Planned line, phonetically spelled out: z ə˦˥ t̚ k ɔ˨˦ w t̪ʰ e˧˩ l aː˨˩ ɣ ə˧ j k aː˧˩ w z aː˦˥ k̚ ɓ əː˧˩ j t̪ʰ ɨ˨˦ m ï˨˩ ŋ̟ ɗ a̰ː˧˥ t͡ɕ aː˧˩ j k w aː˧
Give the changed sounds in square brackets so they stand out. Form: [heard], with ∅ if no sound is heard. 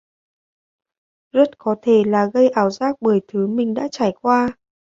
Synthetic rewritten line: z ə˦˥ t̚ k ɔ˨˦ [∅] t̪ʰ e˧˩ l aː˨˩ ɣ ə˧ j [ʔ] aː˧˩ w z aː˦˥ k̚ ɓ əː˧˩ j t̪ʰ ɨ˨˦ m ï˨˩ ŋ̟ ɗ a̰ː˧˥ t͡ɕ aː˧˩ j k w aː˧